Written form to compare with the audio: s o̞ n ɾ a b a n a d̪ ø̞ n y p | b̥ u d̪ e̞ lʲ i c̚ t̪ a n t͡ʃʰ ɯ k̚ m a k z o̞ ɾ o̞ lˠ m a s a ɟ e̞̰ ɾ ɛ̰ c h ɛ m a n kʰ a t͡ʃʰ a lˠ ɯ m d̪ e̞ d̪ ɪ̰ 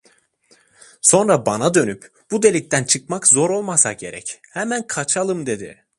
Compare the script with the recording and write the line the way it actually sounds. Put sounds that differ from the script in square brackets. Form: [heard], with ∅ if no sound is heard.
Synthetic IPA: s o̞ n ɾ a b a n a d̪ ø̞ n y p | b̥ u d̪ e̞ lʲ i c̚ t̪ [æ] n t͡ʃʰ ɯ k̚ m a k z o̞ ɾ o̞ lˠ m a s a ɟ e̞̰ ɾ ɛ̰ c h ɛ m [æ] n kʰ a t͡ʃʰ a lˠ ɯ m d̪ e̞ d̪ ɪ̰